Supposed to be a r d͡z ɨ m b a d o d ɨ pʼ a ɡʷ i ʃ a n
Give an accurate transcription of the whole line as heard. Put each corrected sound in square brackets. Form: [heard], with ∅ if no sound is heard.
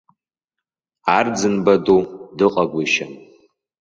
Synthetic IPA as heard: a r d͡z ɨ [n] b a d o d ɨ [qʼ] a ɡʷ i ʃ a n